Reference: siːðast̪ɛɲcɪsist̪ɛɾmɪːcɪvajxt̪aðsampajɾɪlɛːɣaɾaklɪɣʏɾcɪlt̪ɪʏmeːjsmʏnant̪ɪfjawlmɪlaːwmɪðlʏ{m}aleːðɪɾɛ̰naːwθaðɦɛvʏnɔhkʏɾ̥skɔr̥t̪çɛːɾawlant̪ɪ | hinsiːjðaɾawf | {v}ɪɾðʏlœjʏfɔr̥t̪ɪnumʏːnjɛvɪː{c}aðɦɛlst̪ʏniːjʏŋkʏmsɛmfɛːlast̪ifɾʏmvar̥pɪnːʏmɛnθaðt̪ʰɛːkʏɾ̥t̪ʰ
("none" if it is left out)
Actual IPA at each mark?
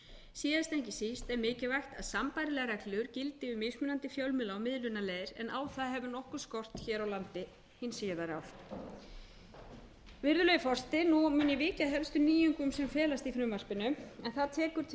n, v, c

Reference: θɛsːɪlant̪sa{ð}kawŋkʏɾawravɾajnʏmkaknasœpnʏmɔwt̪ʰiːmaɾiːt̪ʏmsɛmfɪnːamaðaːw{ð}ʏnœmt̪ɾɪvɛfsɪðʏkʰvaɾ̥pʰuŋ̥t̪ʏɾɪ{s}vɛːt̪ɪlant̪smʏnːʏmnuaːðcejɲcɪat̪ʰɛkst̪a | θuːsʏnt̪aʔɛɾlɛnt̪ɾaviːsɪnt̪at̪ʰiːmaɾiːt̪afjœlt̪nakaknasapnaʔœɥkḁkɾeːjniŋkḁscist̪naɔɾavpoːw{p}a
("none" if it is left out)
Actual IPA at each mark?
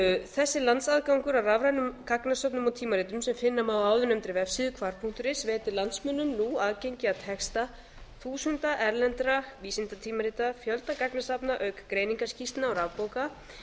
ð, ð, s, k

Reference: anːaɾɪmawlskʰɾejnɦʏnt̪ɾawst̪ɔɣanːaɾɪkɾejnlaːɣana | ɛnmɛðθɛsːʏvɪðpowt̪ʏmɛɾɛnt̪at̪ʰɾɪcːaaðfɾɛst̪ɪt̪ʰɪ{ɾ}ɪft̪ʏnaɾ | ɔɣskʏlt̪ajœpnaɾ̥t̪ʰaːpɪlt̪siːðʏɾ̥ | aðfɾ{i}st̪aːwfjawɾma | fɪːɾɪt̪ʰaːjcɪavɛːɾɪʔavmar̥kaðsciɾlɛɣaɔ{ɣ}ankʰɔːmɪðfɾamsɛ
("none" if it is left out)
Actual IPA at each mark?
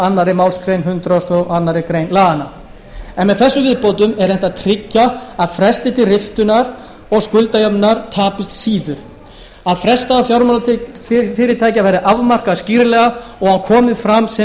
r, ɛ, ɣ

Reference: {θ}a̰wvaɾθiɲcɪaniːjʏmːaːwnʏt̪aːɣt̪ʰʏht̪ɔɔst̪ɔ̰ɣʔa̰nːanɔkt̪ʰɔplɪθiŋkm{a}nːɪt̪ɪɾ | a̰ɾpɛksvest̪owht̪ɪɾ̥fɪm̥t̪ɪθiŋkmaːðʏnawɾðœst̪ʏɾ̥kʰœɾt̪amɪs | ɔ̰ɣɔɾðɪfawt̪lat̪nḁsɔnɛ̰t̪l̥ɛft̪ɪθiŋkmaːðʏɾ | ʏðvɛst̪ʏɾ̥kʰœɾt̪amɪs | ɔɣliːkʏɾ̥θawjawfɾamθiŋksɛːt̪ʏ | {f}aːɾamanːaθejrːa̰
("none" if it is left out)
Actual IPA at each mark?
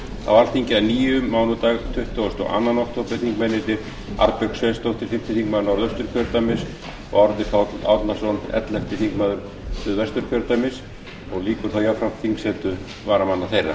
θ, ɛ, v

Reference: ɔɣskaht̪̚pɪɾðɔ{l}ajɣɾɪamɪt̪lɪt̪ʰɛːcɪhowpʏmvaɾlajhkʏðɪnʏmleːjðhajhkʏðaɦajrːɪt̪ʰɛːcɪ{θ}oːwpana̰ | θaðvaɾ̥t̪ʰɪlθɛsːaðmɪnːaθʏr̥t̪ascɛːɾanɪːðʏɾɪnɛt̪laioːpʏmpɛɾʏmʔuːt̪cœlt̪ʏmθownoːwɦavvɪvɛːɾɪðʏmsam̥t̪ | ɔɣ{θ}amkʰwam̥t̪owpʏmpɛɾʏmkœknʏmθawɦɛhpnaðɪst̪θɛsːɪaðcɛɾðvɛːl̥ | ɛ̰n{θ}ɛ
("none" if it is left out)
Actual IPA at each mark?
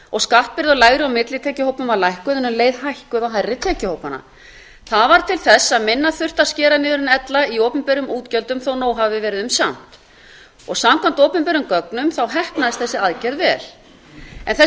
l, h, s, θ

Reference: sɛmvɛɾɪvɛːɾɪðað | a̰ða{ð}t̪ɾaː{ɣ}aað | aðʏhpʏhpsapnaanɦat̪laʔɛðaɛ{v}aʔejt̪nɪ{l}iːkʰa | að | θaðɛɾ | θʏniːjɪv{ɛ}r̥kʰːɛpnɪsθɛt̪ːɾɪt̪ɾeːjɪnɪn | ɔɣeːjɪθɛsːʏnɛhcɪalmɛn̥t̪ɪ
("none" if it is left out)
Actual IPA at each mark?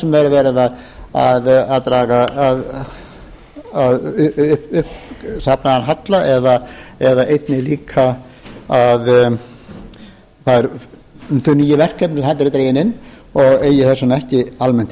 ð, ɣ, ð, l, ɛ

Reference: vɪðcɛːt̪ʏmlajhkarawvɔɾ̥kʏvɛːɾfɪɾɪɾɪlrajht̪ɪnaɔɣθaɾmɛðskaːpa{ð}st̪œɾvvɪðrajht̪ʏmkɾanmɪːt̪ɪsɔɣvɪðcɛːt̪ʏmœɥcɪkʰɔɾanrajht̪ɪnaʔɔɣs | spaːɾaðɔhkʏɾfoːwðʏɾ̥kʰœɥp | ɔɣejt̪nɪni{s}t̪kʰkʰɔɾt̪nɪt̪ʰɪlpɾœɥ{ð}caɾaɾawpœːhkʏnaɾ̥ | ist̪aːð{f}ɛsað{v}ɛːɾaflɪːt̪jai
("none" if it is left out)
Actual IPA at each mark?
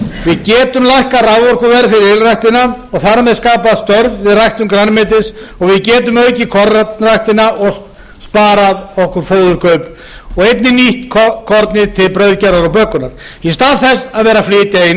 ð, h, ð, θ, v

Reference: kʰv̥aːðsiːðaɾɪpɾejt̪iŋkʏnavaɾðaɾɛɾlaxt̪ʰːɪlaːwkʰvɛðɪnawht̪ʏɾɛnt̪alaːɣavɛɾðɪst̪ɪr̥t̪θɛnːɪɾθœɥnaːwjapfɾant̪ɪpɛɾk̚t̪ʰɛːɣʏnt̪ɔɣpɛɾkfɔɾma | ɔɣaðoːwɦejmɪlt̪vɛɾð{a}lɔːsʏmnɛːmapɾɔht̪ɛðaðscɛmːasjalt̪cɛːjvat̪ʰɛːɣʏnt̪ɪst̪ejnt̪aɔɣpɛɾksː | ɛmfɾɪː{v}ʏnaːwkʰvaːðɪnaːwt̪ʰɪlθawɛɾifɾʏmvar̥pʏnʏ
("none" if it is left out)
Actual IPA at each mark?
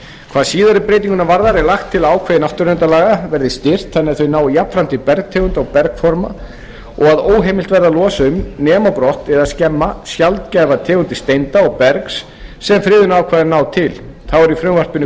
a, ð

